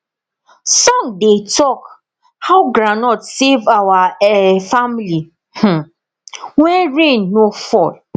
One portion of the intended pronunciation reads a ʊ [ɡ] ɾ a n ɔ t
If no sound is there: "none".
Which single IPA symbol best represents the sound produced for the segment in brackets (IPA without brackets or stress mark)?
ɡ